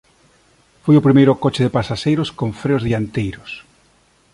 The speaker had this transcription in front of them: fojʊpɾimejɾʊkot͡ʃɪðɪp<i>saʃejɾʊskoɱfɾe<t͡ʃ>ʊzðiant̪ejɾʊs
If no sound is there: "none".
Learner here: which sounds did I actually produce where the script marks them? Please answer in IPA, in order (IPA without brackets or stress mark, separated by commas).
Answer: a, none